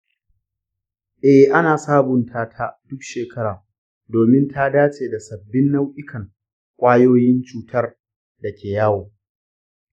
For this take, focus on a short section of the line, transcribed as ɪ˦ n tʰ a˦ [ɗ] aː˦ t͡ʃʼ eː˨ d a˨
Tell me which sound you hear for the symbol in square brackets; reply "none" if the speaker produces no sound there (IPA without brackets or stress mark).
d